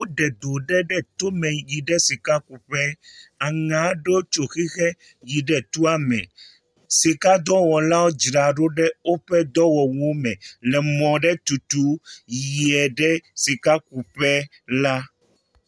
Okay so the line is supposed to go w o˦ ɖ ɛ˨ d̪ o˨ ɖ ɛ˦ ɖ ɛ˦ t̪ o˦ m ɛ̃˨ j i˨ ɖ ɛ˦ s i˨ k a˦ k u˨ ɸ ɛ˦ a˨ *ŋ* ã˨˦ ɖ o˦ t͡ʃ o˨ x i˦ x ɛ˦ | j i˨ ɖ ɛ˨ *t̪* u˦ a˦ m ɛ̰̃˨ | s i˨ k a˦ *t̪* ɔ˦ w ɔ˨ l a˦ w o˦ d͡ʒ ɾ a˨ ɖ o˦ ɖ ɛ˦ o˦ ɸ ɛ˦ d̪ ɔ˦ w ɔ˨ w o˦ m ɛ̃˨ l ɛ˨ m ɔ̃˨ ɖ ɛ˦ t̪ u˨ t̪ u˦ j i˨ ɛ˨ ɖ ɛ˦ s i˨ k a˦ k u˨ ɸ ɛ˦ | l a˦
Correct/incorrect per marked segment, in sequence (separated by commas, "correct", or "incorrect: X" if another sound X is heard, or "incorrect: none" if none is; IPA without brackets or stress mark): correct, correct, incorrect: d̪